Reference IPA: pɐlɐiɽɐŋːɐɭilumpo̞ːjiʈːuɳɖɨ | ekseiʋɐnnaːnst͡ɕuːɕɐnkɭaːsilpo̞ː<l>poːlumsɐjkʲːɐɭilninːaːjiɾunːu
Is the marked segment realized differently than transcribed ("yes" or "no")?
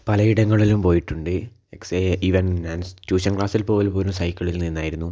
no